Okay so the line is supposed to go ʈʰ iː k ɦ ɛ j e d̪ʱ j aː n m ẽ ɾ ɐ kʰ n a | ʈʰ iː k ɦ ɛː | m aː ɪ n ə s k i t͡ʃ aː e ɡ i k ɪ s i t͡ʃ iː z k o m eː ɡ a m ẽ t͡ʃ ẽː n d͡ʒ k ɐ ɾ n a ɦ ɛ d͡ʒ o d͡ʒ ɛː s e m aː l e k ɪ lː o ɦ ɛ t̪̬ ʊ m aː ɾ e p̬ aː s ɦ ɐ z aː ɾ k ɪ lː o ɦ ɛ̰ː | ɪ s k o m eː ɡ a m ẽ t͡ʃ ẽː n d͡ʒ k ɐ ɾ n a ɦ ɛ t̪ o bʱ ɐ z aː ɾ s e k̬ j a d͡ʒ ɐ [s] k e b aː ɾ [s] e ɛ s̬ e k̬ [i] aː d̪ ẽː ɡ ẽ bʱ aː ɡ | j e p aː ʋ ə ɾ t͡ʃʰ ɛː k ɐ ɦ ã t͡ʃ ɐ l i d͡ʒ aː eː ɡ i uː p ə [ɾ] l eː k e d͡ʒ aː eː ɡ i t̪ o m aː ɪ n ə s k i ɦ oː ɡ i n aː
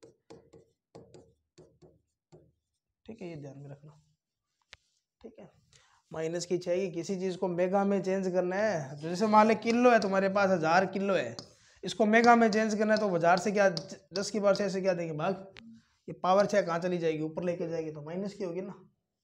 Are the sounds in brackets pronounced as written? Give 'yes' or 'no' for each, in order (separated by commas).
yes, yes, no, yes